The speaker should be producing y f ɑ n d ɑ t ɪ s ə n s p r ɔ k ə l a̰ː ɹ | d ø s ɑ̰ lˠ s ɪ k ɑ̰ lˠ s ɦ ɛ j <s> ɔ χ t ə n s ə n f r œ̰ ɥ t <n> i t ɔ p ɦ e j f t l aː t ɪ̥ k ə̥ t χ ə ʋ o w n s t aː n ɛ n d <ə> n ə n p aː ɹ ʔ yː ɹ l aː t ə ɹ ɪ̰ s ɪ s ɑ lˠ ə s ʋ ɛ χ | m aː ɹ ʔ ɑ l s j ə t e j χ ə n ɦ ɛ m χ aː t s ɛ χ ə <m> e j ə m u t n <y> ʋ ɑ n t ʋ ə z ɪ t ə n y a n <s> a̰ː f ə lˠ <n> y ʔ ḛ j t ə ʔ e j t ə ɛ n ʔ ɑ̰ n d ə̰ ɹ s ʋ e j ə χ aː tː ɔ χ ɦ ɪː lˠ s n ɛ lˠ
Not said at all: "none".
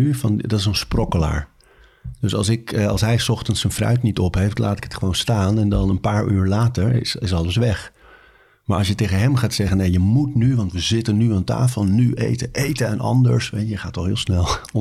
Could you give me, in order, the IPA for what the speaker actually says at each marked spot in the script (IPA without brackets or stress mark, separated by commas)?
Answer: s, n, ɑ, n, y, t, n